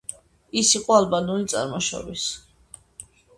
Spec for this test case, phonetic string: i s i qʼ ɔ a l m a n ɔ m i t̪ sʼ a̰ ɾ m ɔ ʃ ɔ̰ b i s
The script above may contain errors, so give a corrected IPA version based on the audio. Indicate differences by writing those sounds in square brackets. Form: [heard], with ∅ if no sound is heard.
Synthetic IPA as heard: i s i qʼ ɔ a l [b] a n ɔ [n] i t̪ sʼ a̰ ɾ m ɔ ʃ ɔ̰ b i s